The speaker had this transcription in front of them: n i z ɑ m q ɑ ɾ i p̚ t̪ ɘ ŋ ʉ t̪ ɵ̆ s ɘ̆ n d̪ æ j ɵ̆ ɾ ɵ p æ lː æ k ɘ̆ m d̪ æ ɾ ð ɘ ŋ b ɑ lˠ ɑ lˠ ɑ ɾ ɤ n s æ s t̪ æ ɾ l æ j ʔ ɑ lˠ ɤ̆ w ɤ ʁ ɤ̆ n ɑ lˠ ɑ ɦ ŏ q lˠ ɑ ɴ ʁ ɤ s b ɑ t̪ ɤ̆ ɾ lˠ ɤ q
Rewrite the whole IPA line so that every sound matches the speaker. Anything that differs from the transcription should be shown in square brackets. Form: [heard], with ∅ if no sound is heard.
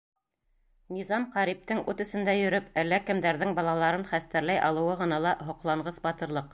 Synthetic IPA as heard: n i z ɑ m q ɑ ɾ i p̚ t̪ ɘ ŋ ʉ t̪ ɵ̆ s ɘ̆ n d̪ æ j ɵ̆ ɾ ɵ p æ lː æ k ɘ̆ m d̪ æ ɾ ð ɘ ŋ b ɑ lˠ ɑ lˠ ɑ ɾ ɤ n [χ] æ s t̪ æ ɾ l æ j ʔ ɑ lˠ ɤ̆ w ɤ ʁ ɤ̆ n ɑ lˠ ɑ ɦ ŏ q lˠ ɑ ɴ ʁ ɤ s b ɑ t̪ ɤ̆ ɾ lˠ ɤ q